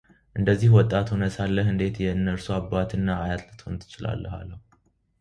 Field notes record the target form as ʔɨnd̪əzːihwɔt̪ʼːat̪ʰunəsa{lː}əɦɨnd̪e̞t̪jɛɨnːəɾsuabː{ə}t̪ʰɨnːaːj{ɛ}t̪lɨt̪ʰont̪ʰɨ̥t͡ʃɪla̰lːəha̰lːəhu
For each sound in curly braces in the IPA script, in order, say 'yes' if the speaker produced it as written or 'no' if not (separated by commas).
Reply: yes, no, no